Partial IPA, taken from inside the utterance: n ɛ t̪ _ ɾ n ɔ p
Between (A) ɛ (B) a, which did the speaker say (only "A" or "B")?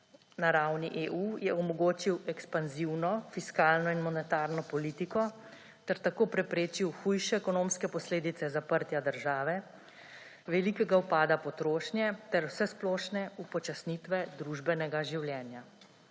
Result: B